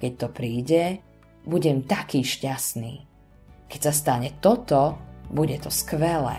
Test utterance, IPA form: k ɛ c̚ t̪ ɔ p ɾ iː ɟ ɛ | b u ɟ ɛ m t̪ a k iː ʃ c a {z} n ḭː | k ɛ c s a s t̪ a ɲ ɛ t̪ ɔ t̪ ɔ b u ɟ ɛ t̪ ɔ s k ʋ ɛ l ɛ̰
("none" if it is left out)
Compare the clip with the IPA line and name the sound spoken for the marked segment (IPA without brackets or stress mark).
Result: s